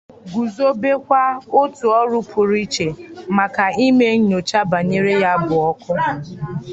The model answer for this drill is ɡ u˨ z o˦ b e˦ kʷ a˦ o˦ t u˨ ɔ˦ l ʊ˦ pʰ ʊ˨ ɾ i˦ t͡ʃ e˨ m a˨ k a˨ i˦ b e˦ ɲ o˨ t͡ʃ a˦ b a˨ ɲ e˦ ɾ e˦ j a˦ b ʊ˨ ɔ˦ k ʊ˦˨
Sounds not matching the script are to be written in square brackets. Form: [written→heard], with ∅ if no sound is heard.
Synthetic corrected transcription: ɡ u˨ z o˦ b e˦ kʷ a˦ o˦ t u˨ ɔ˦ [l→ɾ] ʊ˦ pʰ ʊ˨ ɾ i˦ t͡ʃ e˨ m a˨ k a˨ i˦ [b→m] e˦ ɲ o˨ t͡ʃ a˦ b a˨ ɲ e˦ ɾ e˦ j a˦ b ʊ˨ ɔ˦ k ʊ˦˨